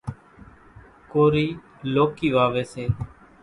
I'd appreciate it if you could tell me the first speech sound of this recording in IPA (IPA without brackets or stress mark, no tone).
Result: k